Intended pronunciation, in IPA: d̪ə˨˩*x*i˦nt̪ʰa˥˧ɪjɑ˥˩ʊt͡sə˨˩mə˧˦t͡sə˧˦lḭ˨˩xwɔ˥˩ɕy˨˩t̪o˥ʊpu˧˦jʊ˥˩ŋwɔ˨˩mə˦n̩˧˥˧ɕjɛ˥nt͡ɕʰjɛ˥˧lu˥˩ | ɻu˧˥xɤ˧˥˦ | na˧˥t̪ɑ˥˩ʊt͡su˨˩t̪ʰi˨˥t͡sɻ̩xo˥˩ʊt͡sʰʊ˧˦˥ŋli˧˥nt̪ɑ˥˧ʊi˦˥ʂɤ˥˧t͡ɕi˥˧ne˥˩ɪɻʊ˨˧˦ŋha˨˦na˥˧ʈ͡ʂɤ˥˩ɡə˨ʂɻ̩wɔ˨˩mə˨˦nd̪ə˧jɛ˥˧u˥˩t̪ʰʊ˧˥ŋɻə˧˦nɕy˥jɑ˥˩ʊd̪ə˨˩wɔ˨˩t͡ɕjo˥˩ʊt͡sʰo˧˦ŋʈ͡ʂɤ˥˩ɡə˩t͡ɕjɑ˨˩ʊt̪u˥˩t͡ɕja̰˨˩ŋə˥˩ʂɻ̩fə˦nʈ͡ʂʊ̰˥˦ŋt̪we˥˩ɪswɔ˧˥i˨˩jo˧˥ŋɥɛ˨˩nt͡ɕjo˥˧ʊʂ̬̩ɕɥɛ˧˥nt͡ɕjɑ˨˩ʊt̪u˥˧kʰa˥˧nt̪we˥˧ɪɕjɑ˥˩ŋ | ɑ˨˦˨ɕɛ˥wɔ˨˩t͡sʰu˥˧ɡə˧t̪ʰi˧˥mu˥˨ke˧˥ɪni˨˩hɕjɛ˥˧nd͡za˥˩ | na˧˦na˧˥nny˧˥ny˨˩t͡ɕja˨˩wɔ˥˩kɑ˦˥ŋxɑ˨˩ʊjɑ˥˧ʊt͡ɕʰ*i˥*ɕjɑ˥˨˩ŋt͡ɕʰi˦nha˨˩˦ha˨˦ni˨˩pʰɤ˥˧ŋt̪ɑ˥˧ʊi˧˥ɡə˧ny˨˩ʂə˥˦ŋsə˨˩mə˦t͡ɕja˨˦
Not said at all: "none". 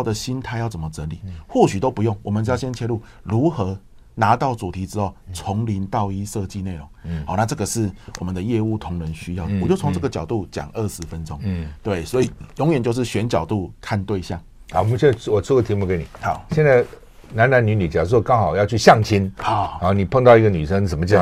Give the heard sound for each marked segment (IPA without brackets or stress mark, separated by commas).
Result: ɕ, y˥